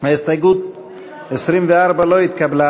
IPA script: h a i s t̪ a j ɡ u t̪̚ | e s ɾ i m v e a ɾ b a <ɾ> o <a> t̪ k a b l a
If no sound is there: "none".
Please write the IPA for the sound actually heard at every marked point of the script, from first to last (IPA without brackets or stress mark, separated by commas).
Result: l, i